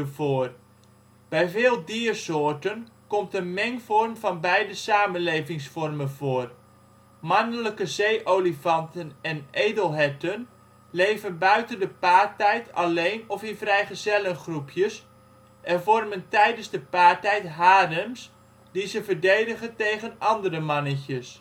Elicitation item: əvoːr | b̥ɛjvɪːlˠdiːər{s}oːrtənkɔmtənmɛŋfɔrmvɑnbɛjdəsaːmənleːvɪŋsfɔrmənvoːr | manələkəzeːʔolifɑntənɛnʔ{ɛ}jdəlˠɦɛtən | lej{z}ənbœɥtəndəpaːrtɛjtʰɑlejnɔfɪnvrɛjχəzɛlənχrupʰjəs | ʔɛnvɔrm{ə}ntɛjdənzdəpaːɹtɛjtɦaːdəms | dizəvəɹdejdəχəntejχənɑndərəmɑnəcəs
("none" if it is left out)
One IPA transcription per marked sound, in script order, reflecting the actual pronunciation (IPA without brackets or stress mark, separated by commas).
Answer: s, e, v, ə